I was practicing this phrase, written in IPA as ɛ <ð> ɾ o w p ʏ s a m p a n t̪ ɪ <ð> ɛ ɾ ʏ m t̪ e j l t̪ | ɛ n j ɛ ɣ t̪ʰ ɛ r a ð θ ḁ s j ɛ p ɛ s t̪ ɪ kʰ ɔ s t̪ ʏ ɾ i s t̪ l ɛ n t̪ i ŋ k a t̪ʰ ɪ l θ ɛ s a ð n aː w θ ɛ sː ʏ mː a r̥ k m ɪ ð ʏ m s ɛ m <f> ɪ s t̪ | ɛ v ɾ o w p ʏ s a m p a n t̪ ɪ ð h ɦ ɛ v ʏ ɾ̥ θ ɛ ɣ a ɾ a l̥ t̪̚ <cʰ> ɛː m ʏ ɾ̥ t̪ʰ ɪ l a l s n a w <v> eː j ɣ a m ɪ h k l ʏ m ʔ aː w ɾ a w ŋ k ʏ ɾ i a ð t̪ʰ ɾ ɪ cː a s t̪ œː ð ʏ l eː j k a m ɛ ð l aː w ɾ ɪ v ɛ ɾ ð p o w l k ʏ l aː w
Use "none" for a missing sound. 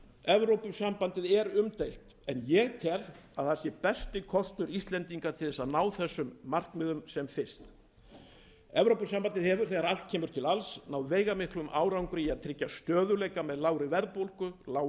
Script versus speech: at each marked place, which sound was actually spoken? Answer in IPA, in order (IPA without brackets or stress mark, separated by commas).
v, ð, f, cʰ, v